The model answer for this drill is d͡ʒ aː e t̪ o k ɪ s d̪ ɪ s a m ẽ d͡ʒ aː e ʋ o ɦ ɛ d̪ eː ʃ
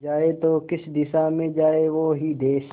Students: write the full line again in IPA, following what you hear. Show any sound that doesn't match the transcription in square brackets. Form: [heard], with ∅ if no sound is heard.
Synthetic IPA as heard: d͡ʒ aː e t̪ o k ɪ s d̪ ɪ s a m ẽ d͡ʒ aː e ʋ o ɦ [i] d̪ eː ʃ